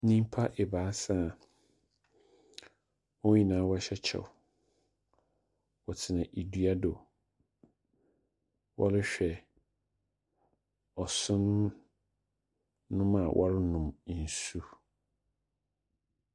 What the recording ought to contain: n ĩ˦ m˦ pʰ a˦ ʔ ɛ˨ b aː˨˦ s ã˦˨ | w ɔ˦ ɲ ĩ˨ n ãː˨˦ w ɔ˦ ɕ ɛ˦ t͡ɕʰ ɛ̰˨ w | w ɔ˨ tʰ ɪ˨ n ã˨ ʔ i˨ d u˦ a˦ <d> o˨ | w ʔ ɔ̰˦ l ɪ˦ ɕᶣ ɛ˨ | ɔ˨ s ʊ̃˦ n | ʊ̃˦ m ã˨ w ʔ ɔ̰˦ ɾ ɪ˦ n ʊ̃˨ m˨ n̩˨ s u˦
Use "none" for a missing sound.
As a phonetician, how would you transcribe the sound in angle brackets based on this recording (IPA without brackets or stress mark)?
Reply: d